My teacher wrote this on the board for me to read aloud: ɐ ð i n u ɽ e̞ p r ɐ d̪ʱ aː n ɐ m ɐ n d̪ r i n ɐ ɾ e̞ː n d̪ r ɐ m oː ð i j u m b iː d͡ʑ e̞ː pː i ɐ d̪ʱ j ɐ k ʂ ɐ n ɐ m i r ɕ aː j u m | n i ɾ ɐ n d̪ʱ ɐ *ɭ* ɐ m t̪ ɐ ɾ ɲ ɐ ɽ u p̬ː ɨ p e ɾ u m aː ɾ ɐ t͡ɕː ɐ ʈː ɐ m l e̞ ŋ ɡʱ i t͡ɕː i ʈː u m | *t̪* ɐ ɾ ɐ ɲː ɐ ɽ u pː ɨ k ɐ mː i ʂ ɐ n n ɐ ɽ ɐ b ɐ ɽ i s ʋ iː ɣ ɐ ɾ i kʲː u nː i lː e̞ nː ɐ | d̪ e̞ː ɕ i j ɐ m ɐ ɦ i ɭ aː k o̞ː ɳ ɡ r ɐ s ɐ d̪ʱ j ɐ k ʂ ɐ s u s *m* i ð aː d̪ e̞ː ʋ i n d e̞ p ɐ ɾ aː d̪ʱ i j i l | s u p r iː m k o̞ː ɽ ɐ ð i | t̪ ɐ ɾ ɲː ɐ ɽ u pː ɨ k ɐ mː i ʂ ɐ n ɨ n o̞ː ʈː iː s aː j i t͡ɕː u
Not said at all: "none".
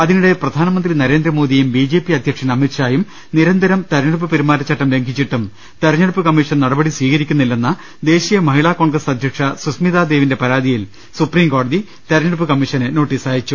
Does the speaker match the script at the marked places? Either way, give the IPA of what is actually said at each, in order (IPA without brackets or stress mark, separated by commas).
ɾ, t̪, m